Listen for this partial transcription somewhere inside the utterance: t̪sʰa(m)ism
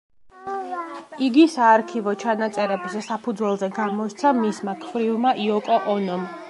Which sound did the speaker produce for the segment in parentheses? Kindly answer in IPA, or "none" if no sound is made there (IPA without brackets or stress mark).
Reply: m